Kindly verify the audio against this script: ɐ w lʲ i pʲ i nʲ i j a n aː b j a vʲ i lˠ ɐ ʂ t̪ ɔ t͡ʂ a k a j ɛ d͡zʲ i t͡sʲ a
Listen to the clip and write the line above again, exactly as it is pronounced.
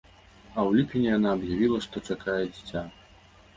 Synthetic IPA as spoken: ɐ w lʲ i pʲ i nʲ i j a n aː b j a vʲ i lˠ ɐ ʂ t̪ ɔ t͡ʂ a k a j ɛ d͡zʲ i t͡sʲ a